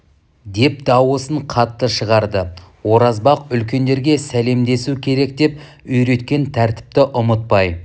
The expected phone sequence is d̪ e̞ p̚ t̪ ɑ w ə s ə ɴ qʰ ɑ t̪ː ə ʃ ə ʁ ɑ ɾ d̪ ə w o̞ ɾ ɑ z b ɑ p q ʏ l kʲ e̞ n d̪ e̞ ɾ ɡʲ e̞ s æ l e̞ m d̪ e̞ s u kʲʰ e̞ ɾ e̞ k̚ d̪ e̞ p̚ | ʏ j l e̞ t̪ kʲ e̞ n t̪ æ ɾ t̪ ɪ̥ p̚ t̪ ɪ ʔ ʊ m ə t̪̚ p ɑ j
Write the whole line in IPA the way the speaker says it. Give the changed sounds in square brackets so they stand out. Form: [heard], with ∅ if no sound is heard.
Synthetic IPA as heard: d̪ e̞ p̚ [d̪] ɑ w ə s ə ɴ qʰ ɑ t̪ː ə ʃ ə ʁ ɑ ɾ d̪ ə w o̞ ɾ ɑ z b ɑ [∅] q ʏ l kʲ e̞ n d̪ e̞ ɾ ɡʲ e̞ s æ l e̞ m d̪ e̞ s u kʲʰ e̞ ɾ e̞ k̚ d̪ e̞ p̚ | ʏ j [ɾ] e̞ t̪ kʲ e̞ n [t̪ʰ] æ ɾ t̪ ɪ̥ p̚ t̪ ɪ ʔ ʊ m ə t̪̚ p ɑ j